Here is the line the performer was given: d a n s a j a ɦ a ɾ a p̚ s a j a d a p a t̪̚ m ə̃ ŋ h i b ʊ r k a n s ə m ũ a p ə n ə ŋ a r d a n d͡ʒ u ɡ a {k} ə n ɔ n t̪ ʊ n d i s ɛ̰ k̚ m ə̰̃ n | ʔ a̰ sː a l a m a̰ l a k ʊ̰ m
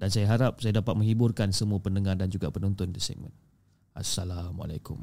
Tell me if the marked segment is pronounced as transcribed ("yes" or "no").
no